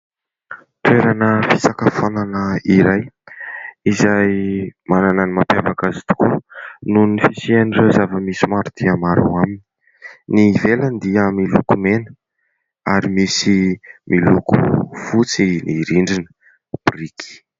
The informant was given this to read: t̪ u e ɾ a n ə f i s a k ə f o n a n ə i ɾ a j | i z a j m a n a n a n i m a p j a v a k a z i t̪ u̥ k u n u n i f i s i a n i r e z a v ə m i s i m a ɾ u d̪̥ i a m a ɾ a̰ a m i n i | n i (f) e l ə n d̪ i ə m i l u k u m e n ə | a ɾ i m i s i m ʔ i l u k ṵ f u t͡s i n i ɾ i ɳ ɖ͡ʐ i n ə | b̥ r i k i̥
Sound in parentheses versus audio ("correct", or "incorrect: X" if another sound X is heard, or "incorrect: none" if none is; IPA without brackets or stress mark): incorrect: v